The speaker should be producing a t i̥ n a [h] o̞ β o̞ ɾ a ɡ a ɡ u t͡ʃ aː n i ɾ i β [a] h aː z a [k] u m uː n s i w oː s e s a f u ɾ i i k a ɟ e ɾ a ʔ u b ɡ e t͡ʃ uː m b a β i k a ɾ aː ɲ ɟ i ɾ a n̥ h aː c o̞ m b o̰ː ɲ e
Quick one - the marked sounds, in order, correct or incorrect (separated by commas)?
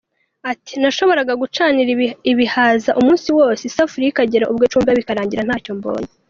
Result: incorrect, incorrect, incorrect